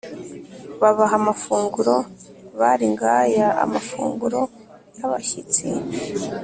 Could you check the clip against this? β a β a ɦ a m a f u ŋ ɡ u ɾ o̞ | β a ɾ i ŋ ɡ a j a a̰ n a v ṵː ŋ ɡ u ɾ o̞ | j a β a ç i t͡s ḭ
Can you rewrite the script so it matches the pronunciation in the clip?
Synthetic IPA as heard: β a β a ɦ a m a f uː ŋ ɡ u ɾ o̞ | β a ɾ i ŋ ɡ a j a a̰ m a f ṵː ŋ ɡ u ɾ o̞ | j a β a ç i t͡s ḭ